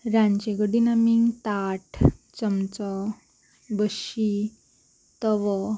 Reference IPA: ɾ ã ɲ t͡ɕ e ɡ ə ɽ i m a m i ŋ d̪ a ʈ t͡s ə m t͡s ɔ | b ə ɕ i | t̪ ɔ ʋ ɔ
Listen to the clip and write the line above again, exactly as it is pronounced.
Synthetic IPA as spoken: ɾ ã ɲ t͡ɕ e ɡ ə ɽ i n a m i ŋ t̪ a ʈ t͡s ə m t͡s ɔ | b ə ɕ i | t̪ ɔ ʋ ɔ